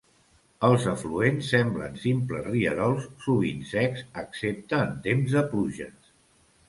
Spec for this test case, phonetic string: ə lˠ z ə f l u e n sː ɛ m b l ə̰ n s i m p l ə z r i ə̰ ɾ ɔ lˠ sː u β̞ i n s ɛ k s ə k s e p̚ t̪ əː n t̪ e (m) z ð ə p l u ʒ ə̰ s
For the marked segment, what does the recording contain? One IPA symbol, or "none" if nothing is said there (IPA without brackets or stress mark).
m